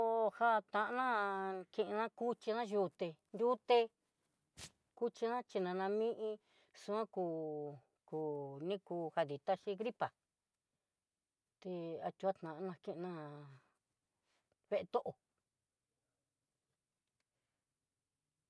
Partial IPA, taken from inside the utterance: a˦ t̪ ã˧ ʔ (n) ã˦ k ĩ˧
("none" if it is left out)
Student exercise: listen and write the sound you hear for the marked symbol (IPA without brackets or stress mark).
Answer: n